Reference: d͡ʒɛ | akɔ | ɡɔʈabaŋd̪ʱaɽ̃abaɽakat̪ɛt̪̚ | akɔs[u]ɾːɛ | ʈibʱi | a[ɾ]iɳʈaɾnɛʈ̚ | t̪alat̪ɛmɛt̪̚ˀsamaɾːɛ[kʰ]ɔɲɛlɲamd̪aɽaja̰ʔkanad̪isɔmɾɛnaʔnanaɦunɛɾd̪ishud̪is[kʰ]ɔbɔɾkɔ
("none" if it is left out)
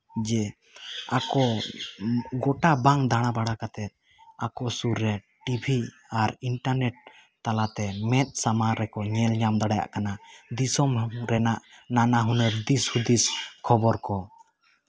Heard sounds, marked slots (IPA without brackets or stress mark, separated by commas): u, ɾ, k, kʰ